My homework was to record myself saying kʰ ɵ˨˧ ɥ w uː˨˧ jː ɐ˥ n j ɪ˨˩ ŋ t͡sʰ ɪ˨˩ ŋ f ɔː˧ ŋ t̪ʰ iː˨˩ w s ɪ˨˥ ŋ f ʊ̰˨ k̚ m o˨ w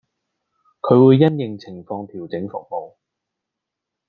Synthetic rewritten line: kʰ ɵ˨˧ ɥ w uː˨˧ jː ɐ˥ n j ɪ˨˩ ŋ t͡sʰ ɪ˨˩ ŋ f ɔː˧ ŋ t̪ʰ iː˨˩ w t͡s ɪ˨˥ ŋ f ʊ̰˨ k̚ m o˨ w